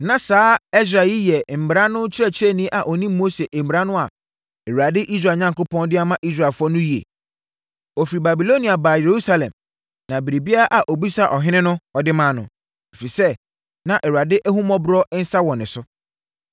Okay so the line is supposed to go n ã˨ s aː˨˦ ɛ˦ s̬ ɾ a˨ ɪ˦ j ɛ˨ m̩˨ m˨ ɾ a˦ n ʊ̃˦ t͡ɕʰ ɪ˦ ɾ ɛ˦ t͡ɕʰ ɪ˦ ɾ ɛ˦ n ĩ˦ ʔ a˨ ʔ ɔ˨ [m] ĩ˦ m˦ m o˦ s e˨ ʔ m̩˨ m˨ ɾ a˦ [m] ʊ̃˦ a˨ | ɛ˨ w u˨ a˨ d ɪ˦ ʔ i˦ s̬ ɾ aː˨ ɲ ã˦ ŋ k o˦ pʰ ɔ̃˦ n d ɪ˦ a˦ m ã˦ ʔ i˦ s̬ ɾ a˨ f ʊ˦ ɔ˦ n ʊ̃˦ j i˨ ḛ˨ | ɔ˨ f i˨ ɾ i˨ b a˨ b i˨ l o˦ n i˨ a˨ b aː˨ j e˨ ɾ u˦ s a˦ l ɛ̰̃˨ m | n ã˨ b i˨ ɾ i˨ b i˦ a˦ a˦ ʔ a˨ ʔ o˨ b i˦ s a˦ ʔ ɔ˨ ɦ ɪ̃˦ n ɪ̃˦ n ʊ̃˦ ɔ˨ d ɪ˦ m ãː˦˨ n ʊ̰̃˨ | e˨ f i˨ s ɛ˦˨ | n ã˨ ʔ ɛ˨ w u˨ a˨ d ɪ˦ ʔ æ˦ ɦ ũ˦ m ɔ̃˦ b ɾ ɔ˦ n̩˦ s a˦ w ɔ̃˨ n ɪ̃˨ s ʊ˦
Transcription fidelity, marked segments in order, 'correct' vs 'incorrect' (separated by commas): incorrect, incorrect